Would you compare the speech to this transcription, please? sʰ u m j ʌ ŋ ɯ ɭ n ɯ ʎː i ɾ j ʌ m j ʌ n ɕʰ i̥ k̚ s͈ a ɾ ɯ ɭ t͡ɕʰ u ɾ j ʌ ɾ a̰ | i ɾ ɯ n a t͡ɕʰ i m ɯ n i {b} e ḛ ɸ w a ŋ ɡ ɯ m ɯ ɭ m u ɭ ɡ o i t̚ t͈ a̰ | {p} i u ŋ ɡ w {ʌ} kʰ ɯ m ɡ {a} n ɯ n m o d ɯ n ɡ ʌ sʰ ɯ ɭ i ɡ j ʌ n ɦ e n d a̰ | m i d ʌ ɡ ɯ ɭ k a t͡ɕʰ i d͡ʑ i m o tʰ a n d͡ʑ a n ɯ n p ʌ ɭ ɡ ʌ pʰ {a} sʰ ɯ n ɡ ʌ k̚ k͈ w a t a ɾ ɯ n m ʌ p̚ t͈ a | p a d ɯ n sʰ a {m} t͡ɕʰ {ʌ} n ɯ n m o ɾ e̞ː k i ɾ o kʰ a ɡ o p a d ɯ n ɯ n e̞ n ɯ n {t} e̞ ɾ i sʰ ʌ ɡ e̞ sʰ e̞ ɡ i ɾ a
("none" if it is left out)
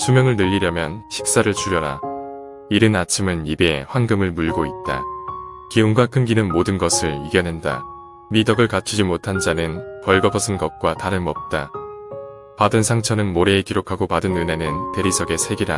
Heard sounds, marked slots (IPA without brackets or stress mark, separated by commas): b, k, a, i, ʌ, ŋ, ʌ, t